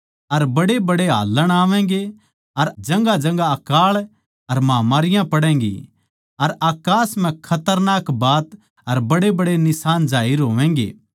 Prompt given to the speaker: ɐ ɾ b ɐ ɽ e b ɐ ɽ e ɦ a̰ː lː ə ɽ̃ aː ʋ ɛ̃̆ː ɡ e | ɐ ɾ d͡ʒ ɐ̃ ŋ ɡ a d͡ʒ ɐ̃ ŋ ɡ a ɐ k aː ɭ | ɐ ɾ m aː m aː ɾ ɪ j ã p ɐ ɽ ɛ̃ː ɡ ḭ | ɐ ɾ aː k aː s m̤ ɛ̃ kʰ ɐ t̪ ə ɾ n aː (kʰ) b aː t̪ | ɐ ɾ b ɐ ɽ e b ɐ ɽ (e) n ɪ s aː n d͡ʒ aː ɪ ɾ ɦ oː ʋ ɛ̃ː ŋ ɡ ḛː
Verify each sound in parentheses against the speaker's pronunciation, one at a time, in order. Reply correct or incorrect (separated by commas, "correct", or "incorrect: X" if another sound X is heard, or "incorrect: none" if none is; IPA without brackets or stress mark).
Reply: incorrect: k, correct